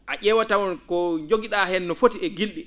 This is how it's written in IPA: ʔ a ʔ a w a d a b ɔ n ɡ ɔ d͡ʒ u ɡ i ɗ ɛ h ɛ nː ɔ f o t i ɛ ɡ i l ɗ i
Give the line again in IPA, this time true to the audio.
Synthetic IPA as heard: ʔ a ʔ ɛ w a t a w ɔ n k ɔ d͡ʒ o ɡ i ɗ a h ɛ nː ɔ f o t i ɛ ɡ i l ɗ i

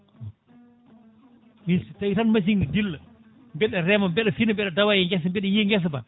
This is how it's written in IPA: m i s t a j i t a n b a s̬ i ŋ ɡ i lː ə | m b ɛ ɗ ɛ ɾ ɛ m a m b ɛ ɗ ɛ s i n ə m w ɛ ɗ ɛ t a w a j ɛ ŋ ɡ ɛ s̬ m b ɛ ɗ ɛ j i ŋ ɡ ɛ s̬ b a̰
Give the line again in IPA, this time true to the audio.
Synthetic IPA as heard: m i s t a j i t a n m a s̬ i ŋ d i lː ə | m b ɛ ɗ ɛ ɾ ɛ m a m b ɛ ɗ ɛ f i n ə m b ɛ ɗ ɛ d a w a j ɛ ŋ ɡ ɛ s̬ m b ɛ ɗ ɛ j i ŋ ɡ ɛ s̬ b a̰

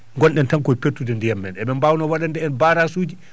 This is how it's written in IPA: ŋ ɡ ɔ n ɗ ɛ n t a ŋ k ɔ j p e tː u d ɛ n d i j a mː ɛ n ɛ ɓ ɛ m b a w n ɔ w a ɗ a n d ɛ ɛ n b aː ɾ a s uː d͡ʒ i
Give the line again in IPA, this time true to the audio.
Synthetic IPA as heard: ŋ ɡ ɔ n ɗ ɛ n t a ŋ k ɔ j p e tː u d ɛ n d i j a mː ɛ n ɛ ɓ ɛ m b a w n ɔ w a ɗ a n d ɛ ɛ n b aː ɾ a s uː d͡ʒ i

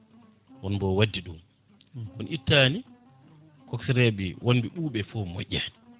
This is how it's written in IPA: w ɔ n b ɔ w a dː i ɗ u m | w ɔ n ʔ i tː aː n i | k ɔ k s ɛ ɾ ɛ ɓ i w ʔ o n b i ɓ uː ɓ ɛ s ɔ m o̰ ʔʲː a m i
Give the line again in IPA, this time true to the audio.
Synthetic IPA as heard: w ɔ n b ɔ w a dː i ɗ u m | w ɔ n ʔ i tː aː n i | k ɔ k s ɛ ɾ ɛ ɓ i w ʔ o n b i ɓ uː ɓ ɛ f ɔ m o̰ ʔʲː a n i

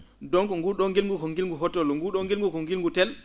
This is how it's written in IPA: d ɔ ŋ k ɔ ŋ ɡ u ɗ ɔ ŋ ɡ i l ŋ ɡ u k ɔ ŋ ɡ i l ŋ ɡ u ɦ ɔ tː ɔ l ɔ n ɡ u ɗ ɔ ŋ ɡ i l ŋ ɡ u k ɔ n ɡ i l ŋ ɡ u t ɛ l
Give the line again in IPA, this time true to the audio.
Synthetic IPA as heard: d ɔ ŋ k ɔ ŋ ɡ u ɗ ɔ ŋ ɡ i l ŋ ɡ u k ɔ ŋ ɡ i l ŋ ɡ u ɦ ɔ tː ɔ l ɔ ŋ ɡ u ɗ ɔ ŋ ɡ i l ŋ ɡ u k ɔ ŋ ɡ i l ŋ ɡ u t ɛ l

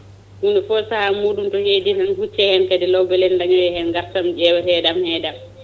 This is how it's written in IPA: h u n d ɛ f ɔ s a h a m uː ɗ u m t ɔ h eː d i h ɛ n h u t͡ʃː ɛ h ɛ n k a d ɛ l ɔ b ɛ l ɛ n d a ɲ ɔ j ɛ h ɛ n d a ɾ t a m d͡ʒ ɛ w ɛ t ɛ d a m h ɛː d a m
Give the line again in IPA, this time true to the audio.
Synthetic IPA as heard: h u n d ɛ f ɔ s a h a m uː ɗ u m t ɔ h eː d i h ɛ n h u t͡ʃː ɛ h ɛ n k a d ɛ l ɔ b ɛ l ɛ n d a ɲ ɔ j ɛ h ɛ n ɡ a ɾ t a m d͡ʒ ɛ w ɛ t ɛ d a m h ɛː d a m

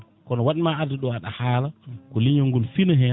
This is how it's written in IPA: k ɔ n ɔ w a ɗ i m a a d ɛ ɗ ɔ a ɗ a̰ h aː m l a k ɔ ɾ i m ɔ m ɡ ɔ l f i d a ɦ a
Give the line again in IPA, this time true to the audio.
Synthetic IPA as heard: k ɔ n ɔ w a ɗ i m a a d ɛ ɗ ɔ a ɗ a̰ h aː l a k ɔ l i ɲ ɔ ŋ ɡ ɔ l f i n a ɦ ɛ

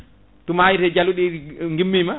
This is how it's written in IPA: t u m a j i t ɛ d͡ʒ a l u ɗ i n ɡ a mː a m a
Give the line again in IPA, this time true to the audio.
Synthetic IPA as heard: t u m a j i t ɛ d͡ʒ a l u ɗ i ŋ ɡ i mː i m a

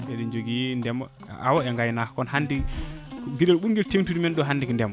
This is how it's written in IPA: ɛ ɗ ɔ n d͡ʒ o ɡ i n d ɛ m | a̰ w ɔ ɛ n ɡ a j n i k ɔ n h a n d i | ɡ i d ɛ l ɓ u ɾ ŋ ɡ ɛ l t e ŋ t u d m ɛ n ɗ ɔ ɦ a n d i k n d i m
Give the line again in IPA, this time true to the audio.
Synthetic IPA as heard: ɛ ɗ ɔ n d͡ʒ o ɡ i n d ɛ m | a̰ w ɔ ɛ ŋ ɡ a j n a k ɔ n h a n d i | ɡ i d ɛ l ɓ u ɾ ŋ ɡ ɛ l t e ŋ t u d m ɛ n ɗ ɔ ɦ a n d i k n d ɛ m

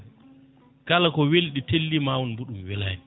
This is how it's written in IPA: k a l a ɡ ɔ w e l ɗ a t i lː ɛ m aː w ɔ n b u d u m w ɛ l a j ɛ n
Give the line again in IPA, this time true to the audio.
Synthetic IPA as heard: k a l a k ɔ w e l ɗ i t e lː i m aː w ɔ n b u ɗ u m w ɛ l a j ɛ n

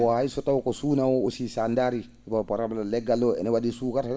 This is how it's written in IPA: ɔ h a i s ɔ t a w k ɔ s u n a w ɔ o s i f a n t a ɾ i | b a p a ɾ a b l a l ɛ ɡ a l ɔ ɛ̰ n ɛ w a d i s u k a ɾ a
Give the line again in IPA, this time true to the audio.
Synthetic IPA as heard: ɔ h a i s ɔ t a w k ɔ s u n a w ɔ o s i s a n d a ɾ i | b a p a ɾ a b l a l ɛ ɡ a l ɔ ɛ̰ n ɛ w a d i s u k a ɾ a

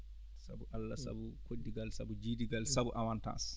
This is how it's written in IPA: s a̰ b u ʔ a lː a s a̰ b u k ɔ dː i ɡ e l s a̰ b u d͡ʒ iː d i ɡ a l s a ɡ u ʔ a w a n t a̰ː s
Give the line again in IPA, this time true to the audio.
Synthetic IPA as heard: s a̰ b u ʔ a lː a s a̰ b u k o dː i ɡ a l s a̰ b u d͡ʒ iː d i ɡ a l s a b u ʔ a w a n t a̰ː s

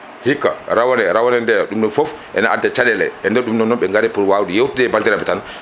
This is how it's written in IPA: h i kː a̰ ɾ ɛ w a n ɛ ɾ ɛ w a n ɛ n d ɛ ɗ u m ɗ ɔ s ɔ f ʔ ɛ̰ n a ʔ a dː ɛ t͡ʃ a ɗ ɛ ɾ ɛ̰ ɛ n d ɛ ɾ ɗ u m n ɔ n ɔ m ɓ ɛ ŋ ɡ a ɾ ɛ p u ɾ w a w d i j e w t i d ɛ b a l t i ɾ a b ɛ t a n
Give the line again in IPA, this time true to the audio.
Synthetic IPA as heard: h i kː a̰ ɾ a w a n ɛ ɾ a w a n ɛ n d ɛ ɗ u m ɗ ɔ f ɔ f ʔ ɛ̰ n a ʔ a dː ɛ t͡ʃ a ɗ ɛ l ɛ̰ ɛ n d ɛ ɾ ɗ u m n ɔ n ɔ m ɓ ɛ ŋ ɡ a ɾ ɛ p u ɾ w a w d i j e w t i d ɛ b a l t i ɾ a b ɛ t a n

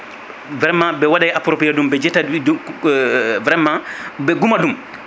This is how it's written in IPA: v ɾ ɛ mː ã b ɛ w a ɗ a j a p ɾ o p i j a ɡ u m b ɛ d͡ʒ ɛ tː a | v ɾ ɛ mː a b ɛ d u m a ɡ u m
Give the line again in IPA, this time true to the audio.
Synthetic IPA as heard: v ɾ ɛ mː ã b ɛ w a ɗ a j a p ɾ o p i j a d u m b ɛ d͡ʒ ɛ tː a | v ɾ ɛ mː a b ɛ ɡ u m a d u m

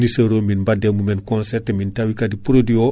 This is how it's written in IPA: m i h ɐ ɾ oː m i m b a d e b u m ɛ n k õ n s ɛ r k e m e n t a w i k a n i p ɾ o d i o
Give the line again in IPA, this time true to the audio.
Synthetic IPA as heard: n i s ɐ ɾ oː m i n b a d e m u m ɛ n k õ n s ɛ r t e m i n t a w i k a d i p ɾ o d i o

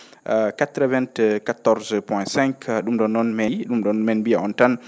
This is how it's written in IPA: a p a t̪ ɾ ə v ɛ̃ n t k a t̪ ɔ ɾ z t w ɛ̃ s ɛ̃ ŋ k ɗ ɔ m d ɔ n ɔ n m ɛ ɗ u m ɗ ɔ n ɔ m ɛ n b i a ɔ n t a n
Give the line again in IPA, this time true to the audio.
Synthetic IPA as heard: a k a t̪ ɾ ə v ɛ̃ n t k a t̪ ɔ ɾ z p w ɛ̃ s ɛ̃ ŋ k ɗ u m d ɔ n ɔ n m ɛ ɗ u m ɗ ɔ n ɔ m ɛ n b i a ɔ n t a n

